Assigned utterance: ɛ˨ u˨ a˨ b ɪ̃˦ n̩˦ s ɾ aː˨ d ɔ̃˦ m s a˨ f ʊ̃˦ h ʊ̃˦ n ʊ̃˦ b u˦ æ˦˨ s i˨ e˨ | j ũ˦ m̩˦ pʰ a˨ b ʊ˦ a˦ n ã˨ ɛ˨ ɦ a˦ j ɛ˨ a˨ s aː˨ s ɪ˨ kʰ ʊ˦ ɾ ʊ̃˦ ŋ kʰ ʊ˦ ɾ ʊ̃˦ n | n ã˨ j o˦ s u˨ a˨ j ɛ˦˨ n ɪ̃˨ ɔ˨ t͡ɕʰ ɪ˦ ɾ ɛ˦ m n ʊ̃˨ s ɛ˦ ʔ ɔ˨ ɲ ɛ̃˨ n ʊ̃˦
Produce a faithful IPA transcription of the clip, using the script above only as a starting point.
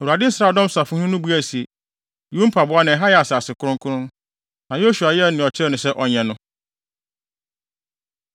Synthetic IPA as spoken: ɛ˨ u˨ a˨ d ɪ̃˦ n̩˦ s ɾ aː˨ d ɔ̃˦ m s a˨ f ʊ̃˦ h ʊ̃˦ n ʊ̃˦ b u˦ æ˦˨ s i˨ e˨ | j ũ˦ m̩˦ pʰ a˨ b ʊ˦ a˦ n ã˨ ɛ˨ ɦ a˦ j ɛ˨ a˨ s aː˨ s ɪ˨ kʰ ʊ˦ ɾ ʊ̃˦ ŋ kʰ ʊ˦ ɾ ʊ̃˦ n | n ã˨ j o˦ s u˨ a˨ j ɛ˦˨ n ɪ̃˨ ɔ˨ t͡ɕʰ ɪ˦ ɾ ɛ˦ n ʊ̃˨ s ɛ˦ ʔ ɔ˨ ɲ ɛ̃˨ n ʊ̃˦